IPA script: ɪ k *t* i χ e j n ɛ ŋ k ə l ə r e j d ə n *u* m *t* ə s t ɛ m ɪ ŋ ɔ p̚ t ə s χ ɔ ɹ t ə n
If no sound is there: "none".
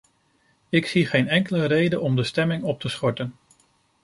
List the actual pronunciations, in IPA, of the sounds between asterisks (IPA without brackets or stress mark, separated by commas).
s, ɔ, d